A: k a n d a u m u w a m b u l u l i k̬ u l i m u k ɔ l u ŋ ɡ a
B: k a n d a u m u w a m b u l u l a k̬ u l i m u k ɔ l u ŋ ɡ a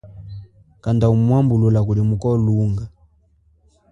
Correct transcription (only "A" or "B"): B